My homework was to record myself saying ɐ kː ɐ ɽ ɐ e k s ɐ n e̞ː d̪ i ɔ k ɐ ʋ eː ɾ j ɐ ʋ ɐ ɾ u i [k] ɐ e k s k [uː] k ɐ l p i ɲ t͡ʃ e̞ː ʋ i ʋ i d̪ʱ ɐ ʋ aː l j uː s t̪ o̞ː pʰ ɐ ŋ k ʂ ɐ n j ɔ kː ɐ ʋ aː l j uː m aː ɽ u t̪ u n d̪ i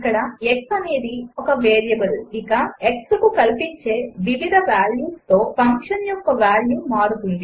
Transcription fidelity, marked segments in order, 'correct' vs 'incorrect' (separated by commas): correct, incorrect